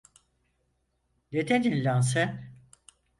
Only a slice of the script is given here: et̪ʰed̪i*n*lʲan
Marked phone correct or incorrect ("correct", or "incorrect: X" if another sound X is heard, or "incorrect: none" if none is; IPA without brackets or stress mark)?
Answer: correct